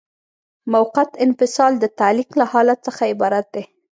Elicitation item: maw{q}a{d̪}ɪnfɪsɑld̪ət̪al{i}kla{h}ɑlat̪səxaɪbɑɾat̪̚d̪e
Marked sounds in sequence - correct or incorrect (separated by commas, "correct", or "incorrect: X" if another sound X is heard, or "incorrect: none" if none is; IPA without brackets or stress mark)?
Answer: correct, incorrect: t̪, correct, correct